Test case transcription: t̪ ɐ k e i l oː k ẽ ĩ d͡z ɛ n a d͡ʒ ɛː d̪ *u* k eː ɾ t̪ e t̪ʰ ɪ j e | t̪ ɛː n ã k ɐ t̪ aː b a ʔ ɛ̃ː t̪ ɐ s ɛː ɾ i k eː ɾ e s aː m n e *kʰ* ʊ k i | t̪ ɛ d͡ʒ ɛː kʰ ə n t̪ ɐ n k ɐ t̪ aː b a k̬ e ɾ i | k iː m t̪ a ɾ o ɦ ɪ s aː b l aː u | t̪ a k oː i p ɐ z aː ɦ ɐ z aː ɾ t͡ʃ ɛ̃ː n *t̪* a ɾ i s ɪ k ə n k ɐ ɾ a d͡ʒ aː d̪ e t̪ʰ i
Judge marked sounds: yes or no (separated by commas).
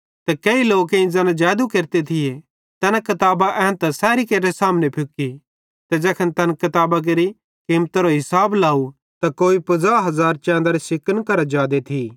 yes, no, no